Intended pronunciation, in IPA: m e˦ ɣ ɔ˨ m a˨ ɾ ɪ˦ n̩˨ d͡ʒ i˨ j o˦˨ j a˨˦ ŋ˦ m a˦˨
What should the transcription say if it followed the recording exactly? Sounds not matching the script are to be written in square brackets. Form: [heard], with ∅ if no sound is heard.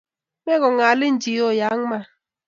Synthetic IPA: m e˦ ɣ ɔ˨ [ŋ] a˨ [l] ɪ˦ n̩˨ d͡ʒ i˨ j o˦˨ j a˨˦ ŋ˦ m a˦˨